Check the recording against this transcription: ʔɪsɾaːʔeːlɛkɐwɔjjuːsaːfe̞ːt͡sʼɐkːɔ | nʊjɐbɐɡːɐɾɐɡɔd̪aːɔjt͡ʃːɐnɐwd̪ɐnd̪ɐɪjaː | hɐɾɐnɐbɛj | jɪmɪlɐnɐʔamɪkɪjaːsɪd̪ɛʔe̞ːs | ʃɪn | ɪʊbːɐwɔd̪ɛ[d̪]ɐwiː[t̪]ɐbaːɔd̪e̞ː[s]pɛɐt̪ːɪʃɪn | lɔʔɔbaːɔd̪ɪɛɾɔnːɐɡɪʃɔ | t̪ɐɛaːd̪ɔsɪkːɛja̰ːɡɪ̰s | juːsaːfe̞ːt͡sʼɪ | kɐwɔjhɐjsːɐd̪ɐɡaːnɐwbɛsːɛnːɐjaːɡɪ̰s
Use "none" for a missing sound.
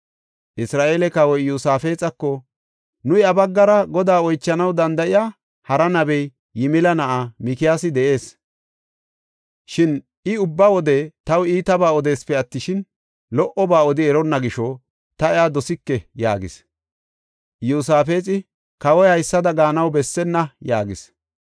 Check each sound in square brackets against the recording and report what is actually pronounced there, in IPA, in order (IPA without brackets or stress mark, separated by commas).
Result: t̪, t̪, s